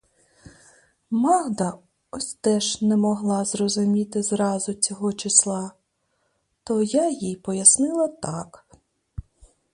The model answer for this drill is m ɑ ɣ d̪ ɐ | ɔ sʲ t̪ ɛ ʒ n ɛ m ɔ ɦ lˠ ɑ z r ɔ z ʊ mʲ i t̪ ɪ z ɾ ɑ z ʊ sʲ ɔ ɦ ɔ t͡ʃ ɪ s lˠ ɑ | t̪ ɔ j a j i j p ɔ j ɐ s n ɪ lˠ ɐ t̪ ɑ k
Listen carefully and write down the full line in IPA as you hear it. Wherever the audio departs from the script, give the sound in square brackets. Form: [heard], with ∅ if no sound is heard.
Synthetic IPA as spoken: m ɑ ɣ d̪ ɐ | ɔ sʲ t̪ ɛ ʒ n ɛ m ɔ ɦ lˠ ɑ z r ɔ z ʊ mʲ i t̪ ɪ z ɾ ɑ z ʊ [t͡sʲ] ɔ ɦ ɔ t͡ʃ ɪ s lˠ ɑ | t̪ ɔ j a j i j p ɔ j ɐ s n ɪ lˠ ɐ t̪ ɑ k